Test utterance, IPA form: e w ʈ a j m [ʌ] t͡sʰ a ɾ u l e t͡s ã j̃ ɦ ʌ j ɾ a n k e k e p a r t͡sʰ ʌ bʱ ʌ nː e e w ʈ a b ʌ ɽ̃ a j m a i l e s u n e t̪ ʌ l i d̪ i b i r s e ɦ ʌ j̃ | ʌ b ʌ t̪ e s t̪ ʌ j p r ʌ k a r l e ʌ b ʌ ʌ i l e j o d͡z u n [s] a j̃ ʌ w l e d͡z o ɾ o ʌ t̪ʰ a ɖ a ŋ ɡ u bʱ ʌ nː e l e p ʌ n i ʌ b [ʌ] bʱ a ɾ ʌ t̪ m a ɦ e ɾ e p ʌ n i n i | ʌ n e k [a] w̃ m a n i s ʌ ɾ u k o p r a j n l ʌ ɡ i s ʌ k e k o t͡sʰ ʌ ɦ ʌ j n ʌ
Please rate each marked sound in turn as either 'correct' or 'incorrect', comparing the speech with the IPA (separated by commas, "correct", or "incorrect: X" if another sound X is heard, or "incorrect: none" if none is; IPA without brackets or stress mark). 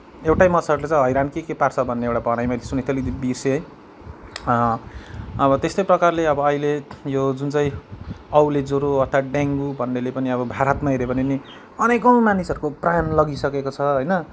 correct, incorrect: t͡s, correct, incorrect: ʌ